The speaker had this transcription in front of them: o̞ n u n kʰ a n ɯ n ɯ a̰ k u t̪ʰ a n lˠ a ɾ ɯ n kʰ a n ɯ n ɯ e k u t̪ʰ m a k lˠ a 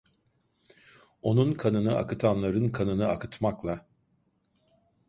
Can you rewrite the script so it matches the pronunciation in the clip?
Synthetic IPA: o̞ n u n kʰ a n ɯ n ɯ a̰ k ɯ t̪ʰ a n lˠ a ɾ ɯ n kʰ a n ɯ n ɯ a k ɯ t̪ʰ m a k lˠ a